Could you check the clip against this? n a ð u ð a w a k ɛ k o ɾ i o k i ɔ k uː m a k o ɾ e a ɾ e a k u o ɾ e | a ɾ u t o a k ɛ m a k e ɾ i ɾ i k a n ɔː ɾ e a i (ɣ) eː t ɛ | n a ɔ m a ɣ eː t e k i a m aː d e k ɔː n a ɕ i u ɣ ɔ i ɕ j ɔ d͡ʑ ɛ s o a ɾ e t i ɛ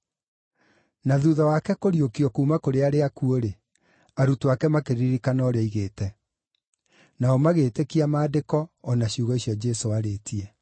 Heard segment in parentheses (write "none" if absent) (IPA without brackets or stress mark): ɣ